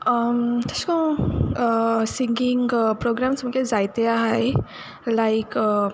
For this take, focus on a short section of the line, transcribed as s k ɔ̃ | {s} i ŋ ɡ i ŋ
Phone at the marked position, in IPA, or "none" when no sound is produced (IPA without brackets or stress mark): s